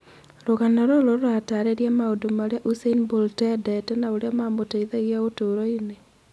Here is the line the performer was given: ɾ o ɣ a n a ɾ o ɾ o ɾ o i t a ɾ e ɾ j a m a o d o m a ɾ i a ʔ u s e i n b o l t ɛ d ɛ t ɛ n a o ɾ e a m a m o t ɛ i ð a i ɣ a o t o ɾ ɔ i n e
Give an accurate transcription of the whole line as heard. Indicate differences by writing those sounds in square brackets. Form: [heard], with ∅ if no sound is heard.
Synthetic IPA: ɾ o ɣ a n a ɾ o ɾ o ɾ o [a] t a ɾ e ɾ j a m a o d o m a ɾ [e] a ʔ u s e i n b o l t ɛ d ɛ t ɛ n a o ɾ e a m a m o t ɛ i ð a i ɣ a o t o ɾ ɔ i n e